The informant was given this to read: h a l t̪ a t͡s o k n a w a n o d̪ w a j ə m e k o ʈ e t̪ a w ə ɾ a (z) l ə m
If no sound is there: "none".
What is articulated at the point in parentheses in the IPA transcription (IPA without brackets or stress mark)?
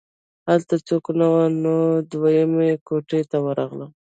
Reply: ɣ